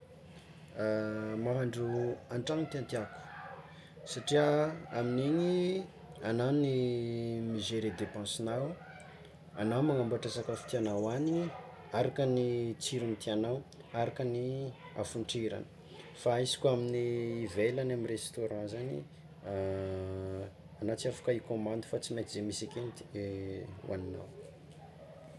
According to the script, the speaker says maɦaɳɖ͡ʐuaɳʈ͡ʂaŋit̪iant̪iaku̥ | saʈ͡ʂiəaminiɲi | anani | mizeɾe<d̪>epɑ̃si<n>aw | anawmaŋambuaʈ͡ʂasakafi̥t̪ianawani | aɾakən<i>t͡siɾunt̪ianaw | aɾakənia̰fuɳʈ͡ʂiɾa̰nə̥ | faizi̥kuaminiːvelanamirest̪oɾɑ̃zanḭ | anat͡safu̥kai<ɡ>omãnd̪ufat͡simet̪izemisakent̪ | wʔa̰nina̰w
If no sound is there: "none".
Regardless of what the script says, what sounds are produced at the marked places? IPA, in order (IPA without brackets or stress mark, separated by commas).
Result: d̪, n, i, k